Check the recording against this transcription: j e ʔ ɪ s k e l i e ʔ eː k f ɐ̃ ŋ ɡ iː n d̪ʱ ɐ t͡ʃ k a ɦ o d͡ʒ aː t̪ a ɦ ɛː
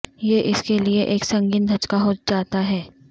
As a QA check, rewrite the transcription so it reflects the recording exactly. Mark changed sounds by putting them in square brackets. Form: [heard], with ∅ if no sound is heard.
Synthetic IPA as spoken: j e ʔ ɪ s k e l i e ʔ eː k [s] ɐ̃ ŋ ɡ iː n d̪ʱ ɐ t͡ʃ k a ɦ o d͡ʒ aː t̪ a ɦ ɛː